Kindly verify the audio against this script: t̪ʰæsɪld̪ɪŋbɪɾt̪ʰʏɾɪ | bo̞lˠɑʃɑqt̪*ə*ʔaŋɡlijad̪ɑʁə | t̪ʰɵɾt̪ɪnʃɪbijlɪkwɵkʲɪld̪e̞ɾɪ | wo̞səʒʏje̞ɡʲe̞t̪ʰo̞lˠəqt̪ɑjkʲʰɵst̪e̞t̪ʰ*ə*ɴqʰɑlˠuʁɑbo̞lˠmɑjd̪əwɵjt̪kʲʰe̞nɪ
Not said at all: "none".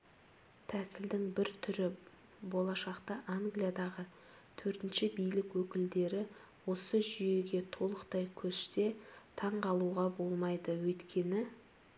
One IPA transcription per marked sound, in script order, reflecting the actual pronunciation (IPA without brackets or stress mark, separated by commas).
ɑ, ɑ